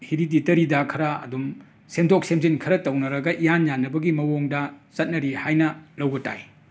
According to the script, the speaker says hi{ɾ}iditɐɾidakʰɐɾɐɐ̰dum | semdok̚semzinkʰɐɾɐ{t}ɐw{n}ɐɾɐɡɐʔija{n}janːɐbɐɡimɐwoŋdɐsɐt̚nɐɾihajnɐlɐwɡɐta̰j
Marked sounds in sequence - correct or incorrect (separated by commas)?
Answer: correct, correct, correct, correct